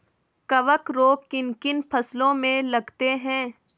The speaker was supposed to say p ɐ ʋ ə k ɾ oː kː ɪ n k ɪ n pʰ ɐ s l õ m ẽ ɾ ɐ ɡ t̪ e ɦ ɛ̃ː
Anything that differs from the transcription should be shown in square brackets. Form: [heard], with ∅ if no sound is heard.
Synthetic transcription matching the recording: [k] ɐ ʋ ə k ɾ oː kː ɪ n k ɪ n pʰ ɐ s l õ m ẽ [l] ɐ ɡ t̪ e ɦ ɛ̃ː